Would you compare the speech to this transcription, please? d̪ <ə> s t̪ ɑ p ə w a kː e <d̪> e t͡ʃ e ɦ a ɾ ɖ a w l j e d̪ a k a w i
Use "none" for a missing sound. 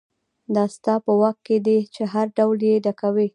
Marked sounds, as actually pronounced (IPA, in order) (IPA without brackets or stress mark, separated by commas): ɑ, d̪